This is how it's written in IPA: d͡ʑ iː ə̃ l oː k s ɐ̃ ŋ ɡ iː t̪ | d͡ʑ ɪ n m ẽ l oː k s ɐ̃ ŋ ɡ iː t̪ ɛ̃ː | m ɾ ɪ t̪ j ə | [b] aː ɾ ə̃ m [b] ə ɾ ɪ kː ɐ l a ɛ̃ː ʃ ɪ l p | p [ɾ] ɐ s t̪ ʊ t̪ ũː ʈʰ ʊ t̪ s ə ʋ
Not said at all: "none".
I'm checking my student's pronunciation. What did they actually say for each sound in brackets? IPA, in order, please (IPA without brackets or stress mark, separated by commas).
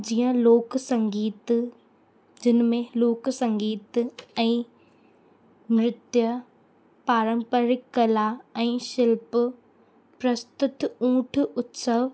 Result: p, p, ɾ